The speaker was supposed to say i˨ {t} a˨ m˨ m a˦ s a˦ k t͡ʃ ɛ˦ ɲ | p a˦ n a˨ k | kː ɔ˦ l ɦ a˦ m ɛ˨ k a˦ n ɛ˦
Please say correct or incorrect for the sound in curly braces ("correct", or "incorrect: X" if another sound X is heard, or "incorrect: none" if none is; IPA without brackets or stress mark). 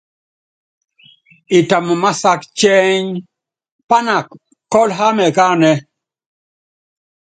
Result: correct